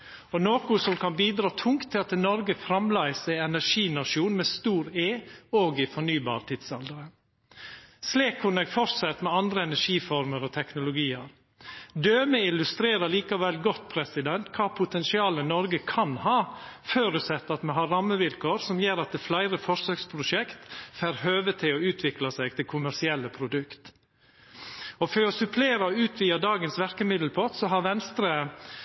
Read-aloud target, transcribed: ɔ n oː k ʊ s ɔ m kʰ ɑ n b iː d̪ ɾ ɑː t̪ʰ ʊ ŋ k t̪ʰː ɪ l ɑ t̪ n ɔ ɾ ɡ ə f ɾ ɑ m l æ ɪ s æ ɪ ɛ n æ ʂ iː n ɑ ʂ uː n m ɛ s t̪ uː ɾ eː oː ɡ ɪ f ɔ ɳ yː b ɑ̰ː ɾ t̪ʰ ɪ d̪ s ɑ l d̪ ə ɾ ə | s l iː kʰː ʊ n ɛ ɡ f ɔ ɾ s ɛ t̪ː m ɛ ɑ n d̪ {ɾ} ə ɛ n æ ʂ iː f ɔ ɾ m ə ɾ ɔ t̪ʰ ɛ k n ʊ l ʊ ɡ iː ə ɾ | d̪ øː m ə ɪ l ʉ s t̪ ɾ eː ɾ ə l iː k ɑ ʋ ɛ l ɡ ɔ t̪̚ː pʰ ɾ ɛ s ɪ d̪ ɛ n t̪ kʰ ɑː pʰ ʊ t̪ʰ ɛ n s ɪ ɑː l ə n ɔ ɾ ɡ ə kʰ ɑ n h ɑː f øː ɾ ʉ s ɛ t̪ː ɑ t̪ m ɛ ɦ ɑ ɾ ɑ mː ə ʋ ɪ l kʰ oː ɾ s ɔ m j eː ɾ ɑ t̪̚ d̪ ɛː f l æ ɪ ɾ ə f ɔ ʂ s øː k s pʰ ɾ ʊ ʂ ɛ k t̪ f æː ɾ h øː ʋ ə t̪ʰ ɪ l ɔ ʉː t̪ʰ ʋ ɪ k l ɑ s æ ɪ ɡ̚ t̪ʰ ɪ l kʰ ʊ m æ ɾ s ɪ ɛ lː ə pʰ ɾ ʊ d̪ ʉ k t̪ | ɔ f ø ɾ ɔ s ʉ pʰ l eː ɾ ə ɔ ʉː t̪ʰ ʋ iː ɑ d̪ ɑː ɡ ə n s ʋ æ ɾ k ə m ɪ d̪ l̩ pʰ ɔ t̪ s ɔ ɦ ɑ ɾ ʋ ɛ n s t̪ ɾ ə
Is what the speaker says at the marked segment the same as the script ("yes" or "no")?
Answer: yes